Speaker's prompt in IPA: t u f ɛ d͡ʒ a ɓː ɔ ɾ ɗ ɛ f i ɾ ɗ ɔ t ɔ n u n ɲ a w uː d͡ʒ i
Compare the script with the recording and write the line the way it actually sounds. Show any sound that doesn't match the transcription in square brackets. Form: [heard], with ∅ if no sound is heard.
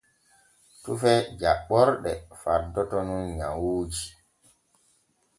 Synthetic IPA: t u f ɛ d͡ʒ a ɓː ɔ ɾ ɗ ɛ f [a] ɾ [d] ɔ t ɔ n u n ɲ a w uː d͡ʒ i